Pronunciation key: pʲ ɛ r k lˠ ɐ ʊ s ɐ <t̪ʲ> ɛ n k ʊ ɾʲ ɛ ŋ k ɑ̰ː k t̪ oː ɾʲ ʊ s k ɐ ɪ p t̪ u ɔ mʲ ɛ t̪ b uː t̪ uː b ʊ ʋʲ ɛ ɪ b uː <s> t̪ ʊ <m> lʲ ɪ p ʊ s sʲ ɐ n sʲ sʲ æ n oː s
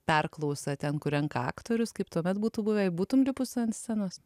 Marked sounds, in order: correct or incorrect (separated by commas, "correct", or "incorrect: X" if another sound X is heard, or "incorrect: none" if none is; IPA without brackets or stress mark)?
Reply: correct, incorrect: none, correct